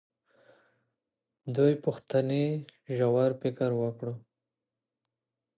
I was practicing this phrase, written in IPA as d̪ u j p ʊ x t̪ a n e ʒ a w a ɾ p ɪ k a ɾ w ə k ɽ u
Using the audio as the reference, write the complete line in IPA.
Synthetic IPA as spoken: d̪ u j p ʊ x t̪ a n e ʒ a w a ɾ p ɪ k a ɾ w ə k ɽ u